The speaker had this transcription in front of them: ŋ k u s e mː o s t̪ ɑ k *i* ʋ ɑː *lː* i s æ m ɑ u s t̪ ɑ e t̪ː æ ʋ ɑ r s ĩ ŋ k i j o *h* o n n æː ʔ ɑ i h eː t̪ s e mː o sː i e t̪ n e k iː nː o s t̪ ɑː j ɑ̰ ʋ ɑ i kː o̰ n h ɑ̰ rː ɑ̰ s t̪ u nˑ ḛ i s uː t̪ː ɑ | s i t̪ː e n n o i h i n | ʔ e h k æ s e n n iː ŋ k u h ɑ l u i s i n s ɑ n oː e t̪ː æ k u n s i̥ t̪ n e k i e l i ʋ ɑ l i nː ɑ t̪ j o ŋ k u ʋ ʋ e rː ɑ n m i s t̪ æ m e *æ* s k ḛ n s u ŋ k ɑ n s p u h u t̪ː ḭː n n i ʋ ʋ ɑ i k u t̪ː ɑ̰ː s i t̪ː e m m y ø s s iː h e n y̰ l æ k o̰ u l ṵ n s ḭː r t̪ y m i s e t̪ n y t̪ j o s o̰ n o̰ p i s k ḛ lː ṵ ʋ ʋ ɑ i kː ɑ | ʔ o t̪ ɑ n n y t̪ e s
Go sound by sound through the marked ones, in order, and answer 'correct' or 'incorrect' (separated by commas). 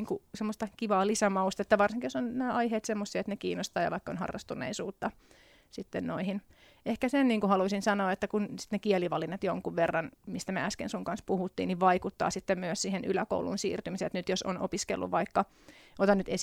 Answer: correct, incorrect, incorrect, correct